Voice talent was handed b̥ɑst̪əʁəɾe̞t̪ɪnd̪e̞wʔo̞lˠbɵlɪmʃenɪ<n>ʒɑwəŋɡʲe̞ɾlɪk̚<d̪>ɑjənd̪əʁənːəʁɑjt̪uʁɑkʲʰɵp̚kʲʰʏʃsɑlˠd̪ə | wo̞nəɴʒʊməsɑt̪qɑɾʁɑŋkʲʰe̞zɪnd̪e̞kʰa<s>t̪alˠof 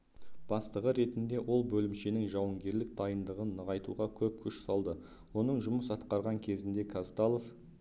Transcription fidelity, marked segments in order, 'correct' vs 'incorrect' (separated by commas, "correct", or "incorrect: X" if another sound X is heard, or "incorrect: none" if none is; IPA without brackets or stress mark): incorrect: ŋ, correct, correct